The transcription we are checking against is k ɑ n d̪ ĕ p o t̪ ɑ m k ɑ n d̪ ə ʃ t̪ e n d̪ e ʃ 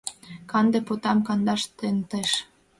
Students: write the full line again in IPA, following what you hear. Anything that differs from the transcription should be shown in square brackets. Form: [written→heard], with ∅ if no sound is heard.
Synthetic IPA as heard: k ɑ n d̪ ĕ p o t̪ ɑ m k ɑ n d̪ [ə→ɑ] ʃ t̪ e n [d̪→t̪] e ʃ